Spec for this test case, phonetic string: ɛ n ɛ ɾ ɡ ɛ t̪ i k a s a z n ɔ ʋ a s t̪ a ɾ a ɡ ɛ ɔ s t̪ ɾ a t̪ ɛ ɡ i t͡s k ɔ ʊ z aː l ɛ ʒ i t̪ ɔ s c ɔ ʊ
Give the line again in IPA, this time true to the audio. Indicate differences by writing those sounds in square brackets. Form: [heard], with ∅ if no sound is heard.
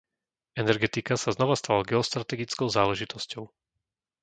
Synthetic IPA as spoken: ɛ n ɛ ɾ ɡ ɛ t̪ i k a s a z n ɔ ʋ a s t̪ a [l] a ɡ ɛ ɔ s t̪ ɾ a t̪ ɛ ɡ i t͡s k ɔ ʊ z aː l ɛ ʒ i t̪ ɔ s c ɔ ʊ